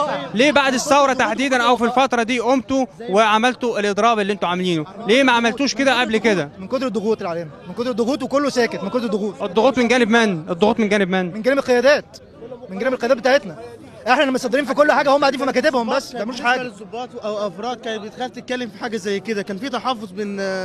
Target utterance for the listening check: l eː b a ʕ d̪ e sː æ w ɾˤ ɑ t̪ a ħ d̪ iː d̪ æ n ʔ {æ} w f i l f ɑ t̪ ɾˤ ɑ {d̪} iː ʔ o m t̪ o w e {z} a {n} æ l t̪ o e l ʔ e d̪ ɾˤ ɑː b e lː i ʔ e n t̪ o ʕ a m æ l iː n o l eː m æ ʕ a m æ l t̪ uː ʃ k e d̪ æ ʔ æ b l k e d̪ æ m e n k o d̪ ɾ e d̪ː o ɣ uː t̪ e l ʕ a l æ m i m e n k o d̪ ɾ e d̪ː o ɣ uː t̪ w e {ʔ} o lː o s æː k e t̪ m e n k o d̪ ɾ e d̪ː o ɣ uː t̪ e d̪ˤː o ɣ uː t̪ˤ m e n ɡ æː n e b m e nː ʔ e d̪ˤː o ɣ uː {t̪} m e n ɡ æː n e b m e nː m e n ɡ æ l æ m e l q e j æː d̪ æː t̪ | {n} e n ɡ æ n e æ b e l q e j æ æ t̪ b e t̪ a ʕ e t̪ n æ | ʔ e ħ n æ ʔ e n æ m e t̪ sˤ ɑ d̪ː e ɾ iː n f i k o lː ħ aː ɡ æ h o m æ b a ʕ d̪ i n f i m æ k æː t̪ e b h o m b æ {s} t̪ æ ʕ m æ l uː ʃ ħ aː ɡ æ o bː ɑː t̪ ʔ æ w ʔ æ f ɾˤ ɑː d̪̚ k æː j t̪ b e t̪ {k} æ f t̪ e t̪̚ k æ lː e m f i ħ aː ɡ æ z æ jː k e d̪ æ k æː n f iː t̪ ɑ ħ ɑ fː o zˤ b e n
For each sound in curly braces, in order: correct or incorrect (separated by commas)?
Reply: correct, correct, incorrect, incorrect, incorrect, correct, incorrect, incorrect, incorrect